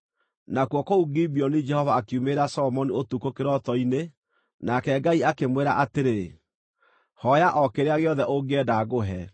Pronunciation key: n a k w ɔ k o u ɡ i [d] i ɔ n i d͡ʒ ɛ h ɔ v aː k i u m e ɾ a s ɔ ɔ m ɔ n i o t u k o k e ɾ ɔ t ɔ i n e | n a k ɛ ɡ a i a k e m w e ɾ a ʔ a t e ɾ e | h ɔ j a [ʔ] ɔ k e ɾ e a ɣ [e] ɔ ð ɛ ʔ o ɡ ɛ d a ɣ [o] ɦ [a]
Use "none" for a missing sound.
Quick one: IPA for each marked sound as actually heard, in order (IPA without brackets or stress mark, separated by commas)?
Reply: b, ʔ, e, o, ɛ